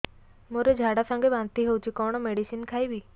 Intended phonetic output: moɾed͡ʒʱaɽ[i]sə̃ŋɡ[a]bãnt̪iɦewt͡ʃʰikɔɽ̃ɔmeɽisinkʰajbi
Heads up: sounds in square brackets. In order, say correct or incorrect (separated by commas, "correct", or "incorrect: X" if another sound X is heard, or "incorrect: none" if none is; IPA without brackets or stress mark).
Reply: incorrect: a, incorrect: e